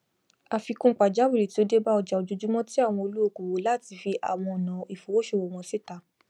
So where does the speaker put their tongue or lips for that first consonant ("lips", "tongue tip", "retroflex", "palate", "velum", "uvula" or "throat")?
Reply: lips